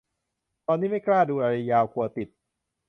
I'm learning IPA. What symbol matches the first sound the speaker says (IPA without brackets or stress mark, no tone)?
t̪